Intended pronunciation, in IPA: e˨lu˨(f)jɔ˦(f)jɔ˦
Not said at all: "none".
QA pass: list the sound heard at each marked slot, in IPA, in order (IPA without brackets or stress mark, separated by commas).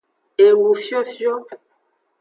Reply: f, f